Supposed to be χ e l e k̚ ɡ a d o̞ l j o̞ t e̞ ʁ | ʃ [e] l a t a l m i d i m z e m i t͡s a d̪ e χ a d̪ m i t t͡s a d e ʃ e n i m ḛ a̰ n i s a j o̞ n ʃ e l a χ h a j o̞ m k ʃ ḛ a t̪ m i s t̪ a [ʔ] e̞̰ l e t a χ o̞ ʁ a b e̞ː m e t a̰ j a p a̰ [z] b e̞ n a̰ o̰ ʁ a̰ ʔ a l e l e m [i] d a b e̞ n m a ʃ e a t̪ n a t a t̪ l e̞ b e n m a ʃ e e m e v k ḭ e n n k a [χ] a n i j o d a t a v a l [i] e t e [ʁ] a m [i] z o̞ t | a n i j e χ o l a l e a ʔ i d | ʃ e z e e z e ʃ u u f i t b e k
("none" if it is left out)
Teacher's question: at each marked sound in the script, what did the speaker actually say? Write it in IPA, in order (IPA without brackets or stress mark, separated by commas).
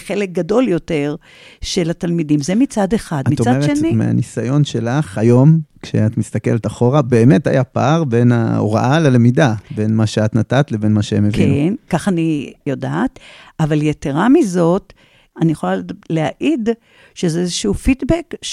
e, k, ʁ, i, χ, j, ʁ, i